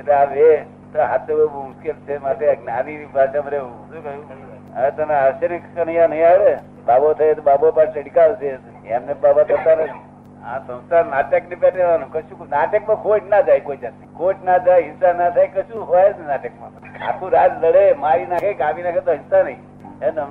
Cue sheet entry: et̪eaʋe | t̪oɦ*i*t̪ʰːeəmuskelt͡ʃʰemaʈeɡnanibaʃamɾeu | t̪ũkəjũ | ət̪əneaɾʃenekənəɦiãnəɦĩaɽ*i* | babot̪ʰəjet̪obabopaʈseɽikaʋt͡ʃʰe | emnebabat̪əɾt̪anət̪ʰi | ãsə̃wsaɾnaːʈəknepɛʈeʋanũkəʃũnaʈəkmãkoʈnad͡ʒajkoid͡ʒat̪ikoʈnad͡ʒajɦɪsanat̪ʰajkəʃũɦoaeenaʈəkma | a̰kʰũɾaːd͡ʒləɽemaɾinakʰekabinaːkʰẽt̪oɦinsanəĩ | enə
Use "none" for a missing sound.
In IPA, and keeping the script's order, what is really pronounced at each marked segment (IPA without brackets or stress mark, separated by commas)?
a, e